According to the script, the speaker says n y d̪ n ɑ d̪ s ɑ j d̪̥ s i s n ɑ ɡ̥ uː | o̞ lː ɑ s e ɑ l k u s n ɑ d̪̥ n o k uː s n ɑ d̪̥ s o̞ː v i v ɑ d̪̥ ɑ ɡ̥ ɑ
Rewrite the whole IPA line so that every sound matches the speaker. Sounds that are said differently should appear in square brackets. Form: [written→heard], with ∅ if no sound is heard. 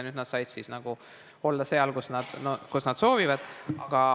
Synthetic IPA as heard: n y d̪ n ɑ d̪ s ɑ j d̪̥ s i s n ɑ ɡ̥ [uː→u] | o̞ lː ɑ s e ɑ l k u s n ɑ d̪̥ n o k [uː→u] s n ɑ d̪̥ s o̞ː v i v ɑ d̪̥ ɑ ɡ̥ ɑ